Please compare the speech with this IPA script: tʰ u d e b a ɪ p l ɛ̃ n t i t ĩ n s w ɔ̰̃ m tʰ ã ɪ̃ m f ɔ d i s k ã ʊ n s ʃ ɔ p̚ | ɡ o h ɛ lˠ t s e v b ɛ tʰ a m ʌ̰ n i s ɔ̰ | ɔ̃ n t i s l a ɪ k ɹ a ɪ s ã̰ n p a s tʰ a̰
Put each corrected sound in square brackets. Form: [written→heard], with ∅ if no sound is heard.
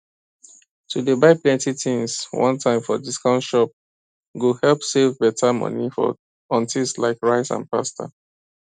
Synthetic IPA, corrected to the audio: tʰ u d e b a ɪ p l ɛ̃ n t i t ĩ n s w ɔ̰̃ [m→n] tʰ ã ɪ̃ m f ɔ d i s k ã ʊ n [s→t] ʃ ɔ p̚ | ɡ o h ɛ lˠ [t→p] s e v b ɛ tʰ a m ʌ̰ n i [s→f] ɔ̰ | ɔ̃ n t i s l a ɪ k ɹ a ɪ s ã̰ n p a s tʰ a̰